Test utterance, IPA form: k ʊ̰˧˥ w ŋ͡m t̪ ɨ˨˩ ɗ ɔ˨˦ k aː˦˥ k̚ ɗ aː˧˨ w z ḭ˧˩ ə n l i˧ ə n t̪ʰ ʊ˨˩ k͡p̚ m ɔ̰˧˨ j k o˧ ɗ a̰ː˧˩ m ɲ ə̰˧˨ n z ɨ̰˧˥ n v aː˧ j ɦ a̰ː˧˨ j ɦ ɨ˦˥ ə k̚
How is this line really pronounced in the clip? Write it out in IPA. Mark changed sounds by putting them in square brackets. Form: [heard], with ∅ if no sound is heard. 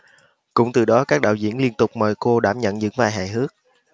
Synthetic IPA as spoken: k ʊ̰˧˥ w ŋ͡m t̪ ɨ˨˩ ɗ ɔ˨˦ k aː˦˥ k̚ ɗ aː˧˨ w z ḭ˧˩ ə n l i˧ ə n [t̪] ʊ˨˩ k͡p̚ m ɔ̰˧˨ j k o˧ ɗ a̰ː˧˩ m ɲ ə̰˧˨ n z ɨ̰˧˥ [ŋ] v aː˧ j ɦ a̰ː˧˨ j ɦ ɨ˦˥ ə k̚